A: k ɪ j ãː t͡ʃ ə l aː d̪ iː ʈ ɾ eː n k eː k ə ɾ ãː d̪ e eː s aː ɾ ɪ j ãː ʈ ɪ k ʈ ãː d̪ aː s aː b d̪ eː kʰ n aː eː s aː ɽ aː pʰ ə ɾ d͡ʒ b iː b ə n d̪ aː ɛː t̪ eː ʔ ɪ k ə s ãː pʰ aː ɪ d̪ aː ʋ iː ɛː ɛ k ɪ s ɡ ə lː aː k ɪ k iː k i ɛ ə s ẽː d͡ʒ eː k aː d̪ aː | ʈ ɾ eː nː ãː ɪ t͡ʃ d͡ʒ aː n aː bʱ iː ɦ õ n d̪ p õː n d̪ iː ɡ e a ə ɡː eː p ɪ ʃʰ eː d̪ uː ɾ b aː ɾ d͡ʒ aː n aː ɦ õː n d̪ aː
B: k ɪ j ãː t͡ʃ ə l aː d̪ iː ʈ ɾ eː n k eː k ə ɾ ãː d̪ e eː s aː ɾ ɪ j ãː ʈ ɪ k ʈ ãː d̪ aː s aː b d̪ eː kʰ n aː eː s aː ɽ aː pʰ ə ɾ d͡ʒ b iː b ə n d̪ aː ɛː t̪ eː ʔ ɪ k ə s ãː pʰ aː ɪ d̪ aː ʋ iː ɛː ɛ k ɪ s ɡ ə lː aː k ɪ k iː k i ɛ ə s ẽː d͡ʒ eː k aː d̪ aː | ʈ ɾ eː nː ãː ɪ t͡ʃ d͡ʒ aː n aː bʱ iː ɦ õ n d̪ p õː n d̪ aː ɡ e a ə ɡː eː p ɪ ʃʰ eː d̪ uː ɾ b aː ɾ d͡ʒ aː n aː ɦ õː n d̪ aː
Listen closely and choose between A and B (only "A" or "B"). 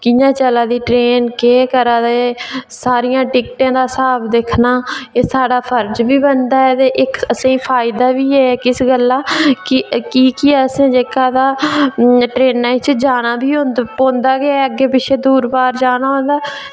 B